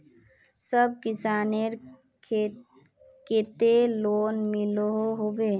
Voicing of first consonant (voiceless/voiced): voiceless